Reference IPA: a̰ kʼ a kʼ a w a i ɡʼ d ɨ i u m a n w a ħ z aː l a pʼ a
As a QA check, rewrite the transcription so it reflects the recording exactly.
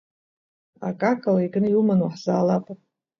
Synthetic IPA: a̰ kʼ a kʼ a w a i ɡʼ n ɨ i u m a n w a ħ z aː l a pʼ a